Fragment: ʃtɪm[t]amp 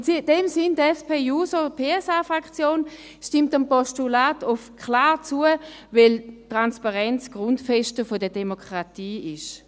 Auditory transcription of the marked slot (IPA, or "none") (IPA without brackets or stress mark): t